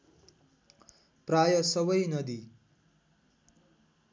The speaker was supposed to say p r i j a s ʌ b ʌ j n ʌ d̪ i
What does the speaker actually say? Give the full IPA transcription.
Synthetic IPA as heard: p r a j ʌ s ʌ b ʌ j n ʌ d̪ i